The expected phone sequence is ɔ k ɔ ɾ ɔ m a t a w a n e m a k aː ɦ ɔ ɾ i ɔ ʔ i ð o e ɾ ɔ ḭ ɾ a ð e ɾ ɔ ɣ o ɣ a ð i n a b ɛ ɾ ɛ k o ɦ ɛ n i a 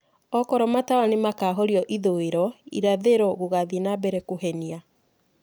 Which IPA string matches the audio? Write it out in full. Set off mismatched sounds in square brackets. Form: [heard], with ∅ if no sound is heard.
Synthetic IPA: ɔ k ɔ ɾ ɔ m a t a w a n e m a k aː ɦ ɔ ɾ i ɔ ʔ i ð o e ɾ ɔ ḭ ɾ a ð e ɾ ɔ ɣ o ɣ a ð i n a b ɛ ɾ ɛ k o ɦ ɛ n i a